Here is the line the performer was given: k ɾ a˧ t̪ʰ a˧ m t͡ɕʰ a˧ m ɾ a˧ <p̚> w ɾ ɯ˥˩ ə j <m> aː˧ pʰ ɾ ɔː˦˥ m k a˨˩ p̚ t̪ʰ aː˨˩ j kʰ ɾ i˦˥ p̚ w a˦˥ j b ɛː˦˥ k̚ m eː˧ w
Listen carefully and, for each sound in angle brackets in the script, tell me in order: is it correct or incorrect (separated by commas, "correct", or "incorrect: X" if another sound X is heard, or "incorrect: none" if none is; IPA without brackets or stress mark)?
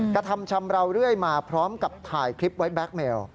incorrect: none, correct